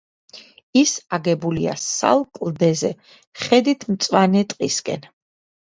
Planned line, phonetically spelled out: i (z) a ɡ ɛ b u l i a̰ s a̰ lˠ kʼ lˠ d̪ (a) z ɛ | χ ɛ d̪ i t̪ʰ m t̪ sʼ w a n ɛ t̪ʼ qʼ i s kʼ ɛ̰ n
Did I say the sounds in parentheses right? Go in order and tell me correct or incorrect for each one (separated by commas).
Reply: incorrect, incorrect